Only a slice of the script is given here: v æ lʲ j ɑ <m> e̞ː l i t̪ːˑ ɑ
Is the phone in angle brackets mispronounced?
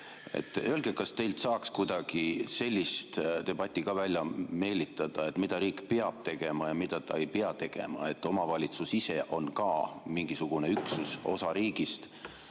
no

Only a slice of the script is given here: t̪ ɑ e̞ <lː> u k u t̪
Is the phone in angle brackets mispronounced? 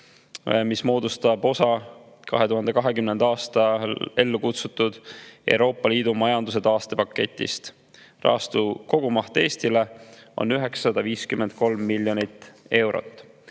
no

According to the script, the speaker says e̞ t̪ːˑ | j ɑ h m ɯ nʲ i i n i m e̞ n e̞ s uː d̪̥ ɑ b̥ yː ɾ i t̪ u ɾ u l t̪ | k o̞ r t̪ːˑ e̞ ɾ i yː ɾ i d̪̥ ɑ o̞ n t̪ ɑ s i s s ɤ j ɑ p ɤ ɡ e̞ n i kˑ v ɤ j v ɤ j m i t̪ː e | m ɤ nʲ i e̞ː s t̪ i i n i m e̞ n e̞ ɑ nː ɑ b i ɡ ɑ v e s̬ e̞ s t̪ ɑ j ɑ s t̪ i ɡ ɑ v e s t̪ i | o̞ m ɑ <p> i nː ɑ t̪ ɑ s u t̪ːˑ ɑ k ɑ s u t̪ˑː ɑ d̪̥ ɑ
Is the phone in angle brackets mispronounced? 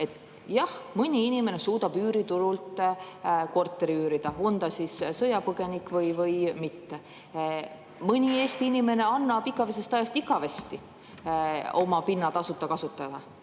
no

